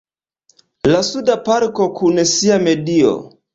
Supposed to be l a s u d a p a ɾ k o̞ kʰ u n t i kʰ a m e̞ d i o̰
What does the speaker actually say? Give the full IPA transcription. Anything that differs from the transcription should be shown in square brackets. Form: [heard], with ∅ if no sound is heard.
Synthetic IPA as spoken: l a s u d a p a ɾ k o̞ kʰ u n [s] i [∅] a m e̞ d i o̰